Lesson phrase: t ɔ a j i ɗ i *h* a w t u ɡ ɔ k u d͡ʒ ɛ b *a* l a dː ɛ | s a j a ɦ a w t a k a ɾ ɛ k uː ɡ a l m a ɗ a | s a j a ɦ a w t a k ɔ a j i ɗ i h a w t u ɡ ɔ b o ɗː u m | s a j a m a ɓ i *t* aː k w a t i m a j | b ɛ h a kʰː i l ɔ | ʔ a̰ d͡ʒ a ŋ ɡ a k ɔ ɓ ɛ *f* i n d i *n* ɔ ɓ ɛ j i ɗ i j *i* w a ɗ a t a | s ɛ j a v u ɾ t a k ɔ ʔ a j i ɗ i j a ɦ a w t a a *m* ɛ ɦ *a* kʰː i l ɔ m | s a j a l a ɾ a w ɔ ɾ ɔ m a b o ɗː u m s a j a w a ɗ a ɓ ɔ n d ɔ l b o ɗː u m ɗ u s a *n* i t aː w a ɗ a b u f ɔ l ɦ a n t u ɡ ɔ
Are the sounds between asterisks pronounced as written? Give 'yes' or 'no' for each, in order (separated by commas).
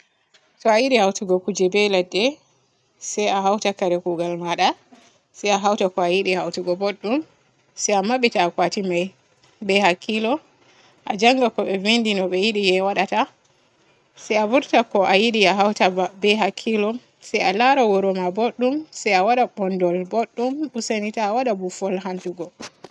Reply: yes, no, yes, no, yes, no, no, yes, yes